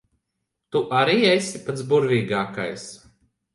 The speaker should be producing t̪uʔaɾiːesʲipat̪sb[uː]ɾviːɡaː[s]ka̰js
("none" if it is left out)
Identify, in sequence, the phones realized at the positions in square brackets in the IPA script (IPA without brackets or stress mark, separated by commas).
u, none